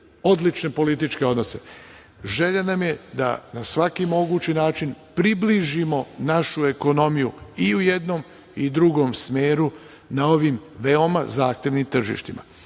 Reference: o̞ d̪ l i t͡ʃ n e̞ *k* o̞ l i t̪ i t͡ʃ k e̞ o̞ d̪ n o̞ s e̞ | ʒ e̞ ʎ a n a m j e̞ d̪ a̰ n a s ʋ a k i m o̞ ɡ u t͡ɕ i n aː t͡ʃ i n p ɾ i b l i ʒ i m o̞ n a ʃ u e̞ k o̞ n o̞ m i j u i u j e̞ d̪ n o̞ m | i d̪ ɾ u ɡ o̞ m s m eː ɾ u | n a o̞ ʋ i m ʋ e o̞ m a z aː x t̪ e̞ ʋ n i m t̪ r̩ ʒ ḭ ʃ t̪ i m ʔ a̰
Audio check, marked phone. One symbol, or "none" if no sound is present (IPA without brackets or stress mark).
p